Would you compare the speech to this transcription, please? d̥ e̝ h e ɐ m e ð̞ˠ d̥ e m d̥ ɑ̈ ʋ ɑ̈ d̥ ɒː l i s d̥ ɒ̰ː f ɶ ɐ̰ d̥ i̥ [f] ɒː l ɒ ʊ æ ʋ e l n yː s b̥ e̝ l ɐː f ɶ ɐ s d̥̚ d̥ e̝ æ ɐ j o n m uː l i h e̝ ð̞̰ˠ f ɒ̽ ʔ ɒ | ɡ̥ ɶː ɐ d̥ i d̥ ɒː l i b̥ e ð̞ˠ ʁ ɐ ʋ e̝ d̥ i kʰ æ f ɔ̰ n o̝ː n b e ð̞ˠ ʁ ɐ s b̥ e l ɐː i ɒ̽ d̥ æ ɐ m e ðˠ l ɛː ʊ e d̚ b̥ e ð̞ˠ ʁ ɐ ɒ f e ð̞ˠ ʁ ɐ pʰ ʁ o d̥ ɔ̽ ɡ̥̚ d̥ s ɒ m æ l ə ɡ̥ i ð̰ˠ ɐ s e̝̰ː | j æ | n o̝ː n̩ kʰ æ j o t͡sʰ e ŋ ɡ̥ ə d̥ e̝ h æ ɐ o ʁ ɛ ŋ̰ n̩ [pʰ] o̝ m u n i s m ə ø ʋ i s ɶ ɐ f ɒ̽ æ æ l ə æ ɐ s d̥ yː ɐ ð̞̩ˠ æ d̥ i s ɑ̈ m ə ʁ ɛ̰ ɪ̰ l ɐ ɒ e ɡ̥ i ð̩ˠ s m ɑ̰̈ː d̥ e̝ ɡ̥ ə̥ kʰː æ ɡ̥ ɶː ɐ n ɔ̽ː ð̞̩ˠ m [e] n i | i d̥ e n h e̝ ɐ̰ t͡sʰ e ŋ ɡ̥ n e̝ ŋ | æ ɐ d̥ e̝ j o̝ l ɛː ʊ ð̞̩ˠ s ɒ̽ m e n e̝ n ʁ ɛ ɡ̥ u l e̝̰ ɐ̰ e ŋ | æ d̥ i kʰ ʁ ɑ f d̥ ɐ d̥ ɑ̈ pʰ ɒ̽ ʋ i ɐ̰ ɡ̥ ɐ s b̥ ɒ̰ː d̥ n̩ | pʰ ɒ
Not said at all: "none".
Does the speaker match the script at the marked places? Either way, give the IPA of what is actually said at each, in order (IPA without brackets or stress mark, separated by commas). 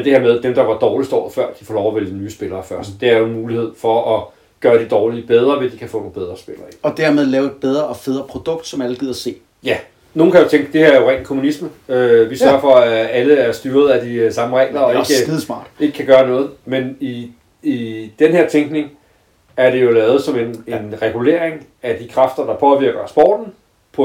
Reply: f, kʰ, e